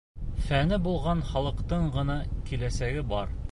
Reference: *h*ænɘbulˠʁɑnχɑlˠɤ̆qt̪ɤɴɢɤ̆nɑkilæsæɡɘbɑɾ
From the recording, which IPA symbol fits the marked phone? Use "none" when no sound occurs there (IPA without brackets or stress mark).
f